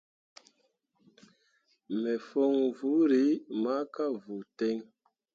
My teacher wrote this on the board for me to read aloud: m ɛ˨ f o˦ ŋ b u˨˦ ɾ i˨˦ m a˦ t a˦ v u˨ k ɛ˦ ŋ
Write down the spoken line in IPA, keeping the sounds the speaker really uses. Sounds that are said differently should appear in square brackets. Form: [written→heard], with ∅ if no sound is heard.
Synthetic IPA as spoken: m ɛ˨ f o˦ ŋ [b→v] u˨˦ ɾ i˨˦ m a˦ [t→k] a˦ v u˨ [k→t] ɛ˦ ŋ